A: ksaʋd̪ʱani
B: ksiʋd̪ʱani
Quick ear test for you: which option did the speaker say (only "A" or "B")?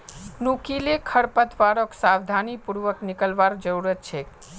A